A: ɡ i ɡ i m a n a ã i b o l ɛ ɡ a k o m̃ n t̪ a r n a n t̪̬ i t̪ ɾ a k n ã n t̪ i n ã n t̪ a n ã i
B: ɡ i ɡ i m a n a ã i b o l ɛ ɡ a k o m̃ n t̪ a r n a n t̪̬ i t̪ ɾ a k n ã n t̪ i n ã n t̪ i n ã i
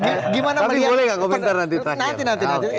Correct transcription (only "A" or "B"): B